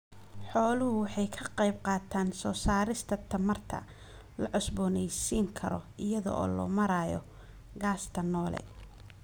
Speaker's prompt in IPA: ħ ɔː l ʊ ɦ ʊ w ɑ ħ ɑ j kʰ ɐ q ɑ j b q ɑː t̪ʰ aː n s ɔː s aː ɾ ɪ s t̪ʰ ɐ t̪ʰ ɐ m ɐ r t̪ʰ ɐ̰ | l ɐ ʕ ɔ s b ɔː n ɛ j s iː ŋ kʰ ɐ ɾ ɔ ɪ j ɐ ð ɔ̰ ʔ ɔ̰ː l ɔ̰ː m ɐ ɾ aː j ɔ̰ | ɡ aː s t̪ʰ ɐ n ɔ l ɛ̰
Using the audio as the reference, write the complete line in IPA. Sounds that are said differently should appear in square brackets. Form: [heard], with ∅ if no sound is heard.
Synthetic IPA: ħ ɔː l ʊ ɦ ʊ w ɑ ħ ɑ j kʰ ɐ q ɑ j b q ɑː t̪ʰ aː n s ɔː s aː ɾ ɪ s t̪ʰ ɐ t̪ʰ ɐ m ɐ r t̪ʰ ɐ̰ | l ɐ ʕ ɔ s b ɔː n ɛ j s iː ŋ kʰ ɐ ɾ ɔ ɪ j ɐ ð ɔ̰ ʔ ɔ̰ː l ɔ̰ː m ɐ ɾ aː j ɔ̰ | ɡ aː s t̪ʰ ɐ n [ɔː] l ɛ̰